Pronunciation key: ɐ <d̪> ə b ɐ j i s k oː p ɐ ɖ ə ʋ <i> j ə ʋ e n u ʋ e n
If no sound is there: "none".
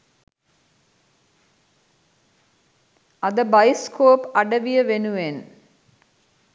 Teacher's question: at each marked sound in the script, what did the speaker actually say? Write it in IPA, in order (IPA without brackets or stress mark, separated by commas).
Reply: d̪, i